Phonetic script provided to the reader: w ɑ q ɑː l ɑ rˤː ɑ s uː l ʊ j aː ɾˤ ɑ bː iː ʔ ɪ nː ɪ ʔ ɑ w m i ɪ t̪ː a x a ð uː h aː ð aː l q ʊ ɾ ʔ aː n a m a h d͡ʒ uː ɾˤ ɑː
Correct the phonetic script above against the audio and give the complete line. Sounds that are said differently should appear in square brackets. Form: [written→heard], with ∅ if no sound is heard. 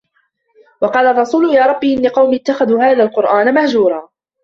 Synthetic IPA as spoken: w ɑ q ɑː l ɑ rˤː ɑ s uː l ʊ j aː ɾˤ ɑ bː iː ʔ ɪ nː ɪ [ʔ→q] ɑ w m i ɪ t̪ː a x a ð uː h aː ð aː l q ʊ ɾ ʔ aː n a m a h d͡ʒ uː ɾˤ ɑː